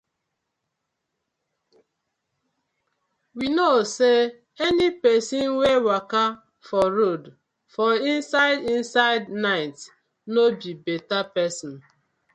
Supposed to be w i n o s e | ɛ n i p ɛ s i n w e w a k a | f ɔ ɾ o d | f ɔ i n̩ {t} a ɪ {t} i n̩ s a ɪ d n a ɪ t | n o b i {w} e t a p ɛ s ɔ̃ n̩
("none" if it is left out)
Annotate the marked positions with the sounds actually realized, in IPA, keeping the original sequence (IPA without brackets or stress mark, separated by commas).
s, d, b